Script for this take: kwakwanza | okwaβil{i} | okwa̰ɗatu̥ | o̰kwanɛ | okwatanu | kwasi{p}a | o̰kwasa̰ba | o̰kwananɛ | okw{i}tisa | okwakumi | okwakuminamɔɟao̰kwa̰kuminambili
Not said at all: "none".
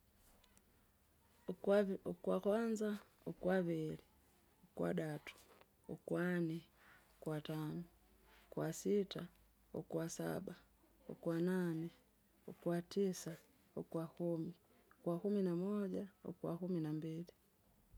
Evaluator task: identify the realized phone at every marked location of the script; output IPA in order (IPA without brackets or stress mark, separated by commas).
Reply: i, t, a